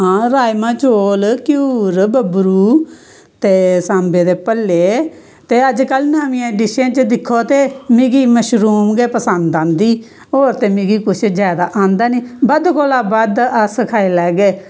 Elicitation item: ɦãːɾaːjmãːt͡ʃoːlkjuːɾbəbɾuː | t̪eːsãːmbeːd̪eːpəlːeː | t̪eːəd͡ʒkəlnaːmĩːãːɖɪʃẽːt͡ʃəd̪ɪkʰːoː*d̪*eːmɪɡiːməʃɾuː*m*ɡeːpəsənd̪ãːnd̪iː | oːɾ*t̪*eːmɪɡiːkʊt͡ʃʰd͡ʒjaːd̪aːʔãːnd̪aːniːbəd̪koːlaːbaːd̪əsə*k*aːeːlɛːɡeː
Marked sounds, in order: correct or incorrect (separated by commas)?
incorrect, correct, correct, incorrect